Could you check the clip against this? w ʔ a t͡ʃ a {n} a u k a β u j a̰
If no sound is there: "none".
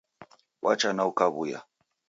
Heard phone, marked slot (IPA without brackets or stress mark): n